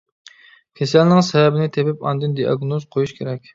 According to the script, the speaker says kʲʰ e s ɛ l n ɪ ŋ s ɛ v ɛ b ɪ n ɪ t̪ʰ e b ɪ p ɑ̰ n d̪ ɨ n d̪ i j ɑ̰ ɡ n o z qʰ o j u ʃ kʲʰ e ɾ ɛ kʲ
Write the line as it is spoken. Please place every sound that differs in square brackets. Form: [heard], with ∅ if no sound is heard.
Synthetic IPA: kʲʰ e s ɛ l n ɪ ŋ s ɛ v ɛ b ɪ n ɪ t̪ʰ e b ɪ p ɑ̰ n d̪ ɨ n d̪ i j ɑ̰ ɡ n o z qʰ o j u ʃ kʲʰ e ɾ ɛ kʲ